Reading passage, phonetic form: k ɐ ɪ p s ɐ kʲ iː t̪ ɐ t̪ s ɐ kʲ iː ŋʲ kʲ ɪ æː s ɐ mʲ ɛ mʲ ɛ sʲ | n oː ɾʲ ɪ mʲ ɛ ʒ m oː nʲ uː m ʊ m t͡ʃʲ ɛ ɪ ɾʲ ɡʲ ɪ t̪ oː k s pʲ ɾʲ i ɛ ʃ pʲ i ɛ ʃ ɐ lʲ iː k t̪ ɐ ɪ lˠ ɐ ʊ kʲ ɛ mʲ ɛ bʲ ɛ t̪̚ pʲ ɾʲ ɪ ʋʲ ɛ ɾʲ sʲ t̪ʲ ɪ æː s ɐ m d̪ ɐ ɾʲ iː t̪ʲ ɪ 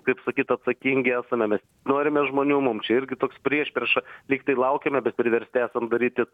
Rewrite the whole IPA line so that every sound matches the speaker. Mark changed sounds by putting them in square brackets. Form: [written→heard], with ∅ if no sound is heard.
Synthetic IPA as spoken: k ɐ ɪ p s ɐ kʲ iː t̪ ɐ t̪ s ɐ kʲ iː ŋʲ [kʲ→ɡʲ] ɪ æː s ɐ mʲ ɛ mʲ ɛ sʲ | n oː ɾʲ ɪ mʲ ɛ ʒ m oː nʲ uː m ʊ m t͡ʃʲ ɛ ɪ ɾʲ ɡʲ ɪ t̪ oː k s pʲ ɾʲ i ɛ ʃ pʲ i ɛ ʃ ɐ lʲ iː k t̪ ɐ ɪ lˠ ɐ ʊ kʲ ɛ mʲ ɛ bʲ ɛ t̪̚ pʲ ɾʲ ɪ ʋʲ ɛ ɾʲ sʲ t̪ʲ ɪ æː s ɐ m d̪ ɐ ɾʲ iː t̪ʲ ɪ